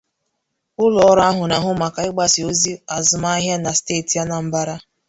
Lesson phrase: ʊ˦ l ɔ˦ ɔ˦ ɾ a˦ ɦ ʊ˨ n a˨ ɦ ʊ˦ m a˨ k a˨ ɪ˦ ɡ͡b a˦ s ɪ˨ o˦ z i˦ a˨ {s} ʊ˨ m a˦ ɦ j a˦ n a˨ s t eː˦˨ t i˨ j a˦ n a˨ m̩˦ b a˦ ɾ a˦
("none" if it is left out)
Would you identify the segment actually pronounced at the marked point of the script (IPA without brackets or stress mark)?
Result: z